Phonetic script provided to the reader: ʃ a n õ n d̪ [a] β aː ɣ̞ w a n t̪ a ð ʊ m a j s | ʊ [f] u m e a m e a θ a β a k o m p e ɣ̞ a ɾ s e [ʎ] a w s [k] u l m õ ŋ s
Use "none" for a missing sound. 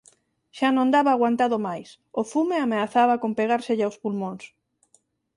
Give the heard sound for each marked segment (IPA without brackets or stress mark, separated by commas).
a, f, ʎ, p